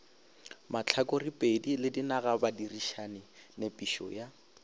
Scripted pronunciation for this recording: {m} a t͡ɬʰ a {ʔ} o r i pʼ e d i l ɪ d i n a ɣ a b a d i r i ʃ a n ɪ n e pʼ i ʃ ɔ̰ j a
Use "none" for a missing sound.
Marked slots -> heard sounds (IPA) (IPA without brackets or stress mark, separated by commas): m, k